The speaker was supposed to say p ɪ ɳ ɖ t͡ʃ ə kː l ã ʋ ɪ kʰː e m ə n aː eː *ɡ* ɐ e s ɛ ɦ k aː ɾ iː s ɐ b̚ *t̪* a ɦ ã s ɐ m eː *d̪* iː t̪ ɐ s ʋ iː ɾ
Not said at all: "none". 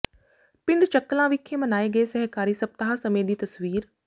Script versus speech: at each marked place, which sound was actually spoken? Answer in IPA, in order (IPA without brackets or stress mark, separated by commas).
ɡ, t̪, d̪